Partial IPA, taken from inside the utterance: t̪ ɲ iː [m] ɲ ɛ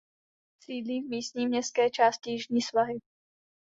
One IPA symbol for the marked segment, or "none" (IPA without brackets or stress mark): m